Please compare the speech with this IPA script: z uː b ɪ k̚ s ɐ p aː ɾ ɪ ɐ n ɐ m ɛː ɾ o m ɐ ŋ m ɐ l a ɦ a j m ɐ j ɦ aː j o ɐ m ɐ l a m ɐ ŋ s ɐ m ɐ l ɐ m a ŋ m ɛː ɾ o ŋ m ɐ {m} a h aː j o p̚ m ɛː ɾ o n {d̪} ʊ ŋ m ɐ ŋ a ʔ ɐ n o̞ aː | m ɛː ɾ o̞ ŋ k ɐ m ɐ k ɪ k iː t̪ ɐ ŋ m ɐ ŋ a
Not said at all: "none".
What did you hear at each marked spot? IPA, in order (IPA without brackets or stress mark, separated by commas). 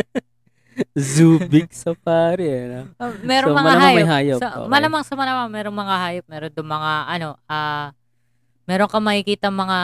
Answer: ŋ, d̪